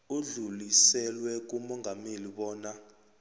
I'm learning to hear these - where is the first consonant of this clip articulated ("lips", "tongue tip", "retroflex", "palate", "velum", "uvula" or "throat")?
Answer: tongue tip